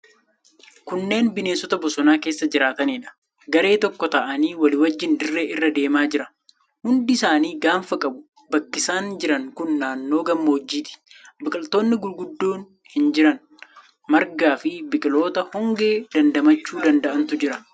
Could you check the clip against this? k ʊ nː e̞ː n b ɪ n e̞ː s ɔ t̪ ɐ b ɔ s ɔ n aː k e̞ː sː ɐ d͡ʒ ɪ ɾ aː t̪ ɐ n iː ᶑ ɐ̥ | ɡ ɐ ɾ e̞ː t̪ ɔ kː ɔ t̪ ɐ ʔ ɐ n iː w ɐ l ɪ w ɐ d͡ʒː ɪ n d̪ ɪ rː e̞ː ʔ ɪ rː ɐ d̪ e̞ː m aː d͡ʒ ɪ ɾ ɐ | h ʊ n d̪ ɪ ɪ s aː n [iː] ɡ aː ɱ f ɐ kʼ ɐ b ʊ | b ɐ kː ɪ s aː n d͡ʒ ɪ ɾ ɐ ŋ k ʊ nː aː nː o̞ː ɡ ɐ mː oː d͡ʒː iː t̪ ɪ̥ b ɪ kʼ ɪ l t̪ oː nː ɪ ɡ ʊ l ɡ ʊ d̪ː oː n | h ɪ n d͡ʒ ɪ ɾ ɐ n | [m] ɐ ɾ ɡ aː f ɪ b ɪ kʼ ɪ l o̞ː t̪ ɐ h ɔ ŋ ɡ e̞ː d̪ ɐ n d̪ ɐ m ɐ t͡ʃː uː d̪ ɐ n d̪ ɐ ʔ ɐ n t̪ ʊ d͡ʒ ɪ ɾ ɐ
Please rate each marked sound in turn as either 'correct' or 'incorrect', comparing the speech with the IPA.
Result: correct, correct

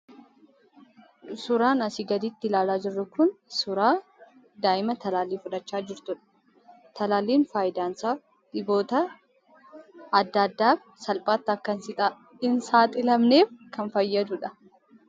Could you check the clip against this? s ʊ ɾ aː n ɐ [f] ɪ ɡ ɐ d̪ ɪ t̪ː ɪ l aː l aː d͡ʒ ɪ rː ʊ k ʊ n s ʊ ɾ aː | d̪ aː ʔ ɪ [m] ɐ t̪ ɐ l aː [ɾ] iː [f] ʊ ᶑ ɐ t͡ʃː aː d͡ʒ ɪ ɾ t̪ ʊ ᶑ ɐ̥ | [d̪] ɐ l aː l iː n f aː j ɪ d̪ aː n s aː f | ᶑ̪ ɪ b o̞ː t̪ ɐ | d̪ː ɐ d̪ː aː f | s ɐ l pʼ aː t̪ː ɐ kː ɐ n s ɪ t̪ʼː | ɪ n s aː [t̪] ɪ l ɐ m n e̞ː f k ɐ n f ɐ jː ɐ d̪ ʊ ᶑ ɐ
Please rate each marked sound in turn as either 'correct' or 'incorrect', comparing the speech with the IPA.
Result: incorrect, correct, incorrect, correct, incorrect, incorrect

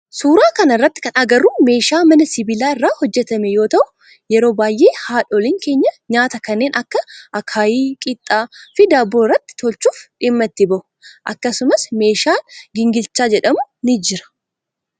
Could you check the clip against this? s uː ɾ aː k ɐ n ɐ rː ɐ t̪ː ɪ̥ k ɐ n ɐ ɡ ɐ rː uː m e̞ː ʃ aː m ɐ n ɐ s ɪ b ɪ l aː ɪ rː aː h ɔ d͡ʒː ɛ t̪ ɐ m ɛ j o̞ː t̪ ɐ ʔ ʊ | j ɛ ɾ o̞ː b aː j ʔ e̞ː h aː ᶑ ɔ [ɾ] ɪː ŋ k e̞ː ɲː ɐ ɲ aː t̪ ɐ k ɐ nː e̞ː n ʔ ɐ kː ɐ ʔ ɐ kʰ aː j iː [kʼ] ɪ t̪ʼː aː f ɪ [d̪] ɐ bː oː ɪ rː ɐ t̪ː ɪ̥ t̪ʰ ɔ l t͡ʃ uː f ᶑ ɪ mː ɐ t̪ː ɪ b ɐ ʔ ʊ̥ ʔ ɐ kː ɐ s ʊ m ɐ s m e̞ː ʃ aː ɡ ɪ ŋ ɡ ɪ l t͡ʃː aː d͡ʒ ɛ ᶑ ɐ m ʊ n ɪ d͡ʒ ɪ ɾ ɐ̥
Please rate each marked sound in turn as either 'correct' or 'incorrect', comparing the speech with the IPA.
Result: incorrect, correct, correct

